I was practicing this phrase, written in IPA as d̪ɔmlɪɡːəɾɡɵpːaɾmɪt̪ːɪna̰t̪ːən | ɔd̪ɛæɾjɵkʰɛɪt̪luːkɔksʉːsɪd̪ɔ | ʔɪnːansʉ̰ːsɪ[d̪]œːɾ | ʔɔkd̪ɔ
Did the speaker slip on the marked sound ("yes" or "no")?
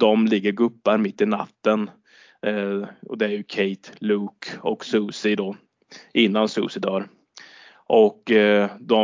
no